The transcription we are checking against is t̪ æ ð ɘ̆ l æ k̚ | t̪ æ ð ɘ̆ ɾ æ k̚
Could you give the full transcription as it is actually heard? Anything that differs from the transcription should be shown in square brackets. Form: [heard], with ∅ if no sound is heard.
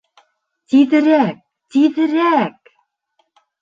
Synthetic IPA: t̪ [i] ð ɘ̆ [ɾ] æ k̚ | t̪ [i] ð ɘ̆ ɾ æ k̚